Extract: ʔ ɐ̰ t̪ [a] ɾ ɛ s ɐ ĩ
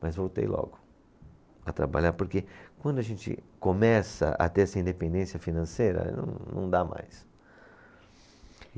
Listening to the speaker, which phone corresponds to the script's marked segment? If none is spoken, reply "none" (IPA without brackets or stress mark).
e